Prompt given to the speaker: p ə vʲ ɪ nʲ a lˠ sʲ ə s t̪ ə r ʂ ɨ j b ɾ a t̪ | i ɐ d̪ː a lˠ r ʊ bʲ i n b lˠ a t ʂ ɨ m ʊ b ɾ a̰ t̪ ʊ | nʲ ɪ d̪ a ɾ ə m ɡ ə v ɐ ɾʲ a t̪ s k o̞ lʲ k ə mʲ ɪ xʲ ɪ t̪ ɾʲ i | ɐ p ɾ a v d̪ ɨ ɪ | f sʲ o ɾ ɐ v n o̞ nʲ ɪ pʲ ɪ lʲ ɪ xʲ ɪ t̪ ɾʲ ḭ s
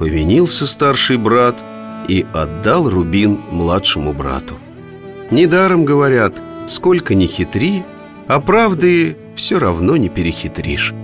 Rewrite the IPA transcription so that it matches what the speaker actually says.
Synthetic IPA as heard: p ə vʲ ɪ nʲ i lˠ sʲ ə s t̪ a r ʂ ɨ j b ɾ a t̪ | i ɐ d̪ː a lˠ r ʊ bʲ i n m lˠ a t ʂ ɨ m ʊ b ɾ a̰ t̪ ʊ | nʲ ɪ d̪ a ɾ ə m ɡ ə v ɐ ɾʲ a t̪ s k o̞ lʲ k ə nʲ ɪ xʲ ɪ t̪ ɾʲ i | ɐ p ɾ a v d̪ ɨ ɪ | f sʲ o ɾ ɐ v n o̞ nʲ ɪ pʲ ɪ ɾʲ ɪ xʲ ɪ t̪ ɾʲ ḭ ʂ